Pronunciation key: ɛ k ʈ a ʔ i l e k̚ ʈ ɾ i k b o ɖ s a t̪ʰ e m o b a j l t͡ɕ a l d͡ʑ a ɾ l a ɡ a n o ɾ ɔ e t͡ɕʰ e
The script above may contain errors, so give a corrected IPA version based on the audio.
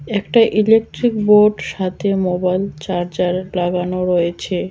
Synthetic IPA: ɛ k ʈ a ʔ i l e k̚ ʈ ɾ i k b o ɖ ʃ a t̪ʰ e m o b a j l t͡ɕ a ɾ d͡ʑ a ɾ l a ɡ a n o ɾ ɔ e t͡ɕʰ e